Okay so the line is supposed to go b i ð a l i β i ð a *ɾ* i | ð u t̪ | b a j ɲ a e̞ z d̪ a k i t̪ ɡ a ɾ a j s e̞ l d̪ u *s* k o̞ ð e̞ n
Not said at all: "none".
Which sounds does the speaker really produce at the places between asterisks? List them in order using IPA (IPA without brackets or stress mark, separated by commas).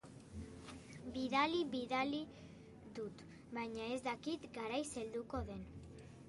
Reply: l, none